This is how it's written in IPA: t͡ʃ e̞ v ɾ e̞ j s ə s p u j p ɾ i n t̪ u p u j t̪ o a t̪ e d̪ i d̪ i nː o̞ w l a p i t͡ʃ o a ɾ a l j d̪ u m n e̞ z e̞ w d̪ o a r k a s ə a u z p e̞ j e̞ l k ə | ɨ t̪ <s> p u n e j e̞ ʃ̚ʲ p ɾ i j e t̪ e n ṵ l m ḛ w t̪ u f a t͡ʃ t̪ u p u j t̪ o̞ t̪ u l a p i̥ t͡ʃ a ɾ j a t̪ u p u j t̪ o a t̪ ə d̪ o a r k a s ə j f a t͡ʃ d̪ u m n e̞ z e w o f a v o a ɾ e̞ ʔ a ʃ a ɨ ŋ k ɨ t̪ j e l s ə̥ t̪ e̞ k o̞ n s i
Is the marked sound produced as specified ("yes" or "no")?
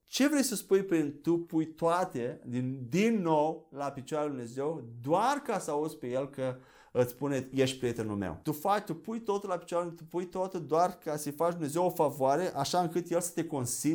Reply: yes